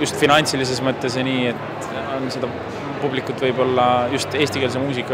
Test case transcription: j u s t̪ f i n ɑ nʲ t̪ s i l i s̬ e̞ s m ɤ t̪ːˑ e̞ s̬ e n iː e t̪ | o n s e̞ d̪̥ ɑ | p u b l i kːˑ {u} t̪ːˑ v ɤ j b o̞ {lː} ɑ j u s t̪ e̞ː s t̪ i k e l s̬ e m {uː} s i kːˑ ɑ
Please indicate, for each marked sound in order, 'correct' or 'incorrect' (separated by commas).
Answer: correct, correct, correct